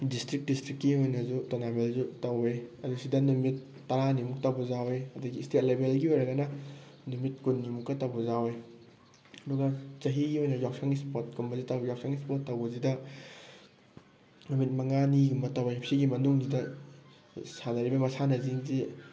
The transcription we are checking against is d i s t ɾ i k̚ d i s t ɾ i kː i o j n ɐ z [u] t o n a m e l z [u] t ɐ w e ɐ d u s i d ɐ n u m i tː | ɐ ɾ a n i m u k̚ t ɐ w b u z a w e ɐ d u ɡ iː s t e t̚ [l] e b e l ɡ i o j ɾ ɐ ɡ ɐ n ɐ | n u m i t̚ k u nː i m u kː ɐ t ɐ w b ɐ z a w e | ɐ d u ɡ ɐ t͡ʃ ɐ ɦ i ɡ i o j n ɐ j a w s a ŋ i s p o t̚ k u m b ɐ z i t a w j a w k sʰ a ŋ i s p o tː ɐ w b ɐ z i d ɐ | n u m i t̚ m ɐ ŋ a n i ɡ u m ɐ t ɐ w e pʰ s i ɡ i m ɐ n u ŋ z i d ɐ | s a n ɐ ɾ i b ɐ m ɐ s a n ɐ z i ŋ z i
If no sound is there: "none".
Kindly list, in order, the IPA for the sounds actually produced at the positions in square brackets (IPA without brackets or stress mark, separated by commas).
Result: u, u, l